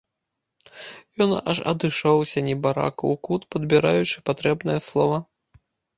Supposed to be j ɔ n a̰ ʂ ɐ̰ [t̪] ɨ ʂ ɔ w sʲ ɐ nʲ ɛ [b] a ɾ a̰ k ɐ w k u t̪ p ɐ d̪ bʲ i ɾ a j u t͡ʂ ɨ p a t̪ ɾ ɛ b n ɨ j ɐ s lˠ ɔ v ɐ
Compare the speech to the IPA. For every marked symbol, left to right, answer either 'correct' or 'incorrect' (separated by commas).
incorrect, correct